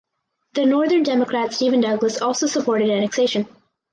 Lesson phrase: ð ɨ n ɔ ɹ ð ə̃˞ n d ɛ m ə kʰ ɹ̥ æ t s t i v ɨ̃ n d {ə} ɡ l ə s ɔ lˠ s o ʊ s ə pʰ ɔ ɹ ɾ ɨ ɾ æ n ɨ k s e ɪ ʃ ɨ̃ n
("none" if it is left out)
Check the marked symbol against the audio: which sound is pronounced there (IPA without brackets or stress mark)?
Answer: ʌ